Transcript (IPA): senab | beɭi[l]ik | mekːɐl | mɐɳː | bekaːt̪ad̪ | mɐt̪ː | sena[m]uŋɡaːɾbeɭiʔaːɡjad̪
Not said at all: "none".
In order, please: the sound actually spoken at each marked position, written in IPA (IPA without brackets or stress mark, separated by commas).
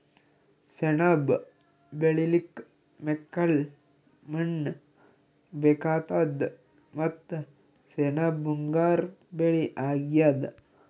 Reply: l, b